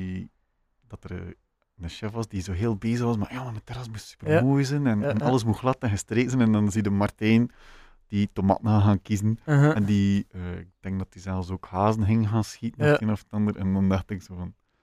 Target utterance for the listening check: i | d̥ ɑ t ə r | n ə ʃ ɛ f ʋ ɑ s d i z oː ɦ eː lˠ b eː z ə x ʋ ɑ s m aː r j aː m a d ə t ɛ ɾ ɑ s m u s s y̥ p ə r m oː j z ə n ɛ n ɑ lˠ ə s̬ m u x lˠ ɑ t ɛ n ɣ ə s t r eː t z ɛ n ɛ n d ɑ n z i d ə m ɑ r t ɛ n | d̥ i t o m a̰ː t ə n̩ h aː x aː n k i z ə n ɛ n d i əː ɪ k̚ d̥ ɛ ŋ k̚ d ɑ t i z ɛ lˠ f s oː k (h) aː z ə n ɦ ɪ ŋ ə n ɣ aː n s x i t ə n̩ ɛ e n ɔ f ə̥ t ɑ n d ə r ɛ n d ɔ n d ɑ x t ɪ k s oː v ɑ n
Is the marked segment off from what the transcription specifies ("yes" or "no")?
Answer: no